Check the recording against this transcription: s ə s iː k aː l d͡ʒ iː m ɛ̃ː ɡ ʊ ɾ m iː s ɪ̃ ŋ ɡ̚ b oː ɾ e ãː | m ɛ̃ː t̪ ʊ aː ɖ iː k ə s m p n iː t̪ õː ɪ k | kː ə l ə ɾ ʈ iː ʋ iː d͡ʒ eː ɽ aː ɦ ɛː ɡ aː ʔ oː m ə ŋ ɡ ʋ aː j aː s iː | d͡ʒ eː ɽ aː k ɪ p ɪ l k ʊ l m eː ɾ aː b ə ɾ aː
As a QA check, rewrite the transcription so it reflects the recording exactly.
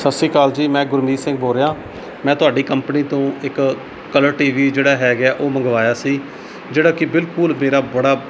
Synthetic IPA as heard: s ə s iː k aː l d͡ʒ iː m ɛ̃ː ɡ ʊ ɾ m iː s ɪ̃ ŋ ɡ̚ b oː ɾ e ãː | m ɛ̃ː t̪ ʊ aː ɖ iː k ə m p n iː t̪ õː ɪ k | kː ə l ə ɾ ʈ iː ʋ iː d͡ʒ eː ɽ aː ɦ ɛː ɡ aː ʔ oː m ə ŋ ɡ ʋ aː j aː s iː | d͡ʒ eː ɽ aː k ɪ b ɪ l k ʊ l m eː ɾ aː b ə ɽ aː